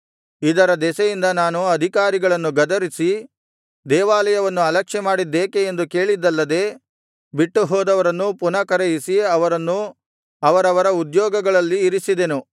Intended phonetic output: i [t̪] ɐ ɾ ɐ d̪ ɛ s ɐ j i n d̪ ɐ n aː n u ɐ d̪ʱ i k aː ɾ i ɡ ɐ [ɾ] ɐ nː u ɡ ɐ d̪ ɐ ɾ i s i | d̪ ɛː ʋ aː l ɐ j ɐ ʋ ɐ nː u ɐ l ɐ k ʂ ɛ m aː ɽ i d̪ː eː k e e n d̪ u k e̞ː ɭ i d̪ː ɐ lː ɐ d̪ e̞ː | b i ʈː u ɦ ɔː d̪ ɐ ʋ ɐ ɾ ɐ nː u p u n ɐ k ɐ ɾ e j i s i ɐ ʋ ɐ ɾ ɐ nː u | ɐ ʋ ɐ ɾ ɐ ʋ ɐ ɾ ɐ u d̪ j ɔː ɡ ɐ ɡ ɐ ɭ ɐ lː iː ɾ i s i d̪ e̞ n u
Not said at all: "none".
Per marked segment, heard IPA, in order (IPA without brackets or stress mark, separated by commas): d̪, ɭ